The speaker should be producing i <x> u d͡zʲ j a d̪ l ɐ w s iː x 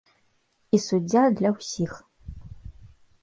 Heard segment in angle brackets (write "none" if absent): s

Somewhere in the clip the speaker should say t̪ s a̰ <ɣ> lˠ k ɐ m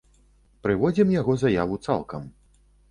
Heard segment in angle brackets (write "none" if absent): none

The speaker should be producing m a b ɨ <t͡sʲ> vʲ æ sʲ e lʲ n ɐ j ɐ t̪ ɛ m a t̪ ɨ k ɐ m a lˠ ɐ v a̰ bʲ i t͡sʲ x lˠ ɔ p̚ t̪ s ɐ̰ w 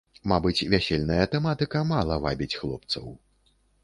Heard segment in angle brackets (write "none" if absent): t͡sʲ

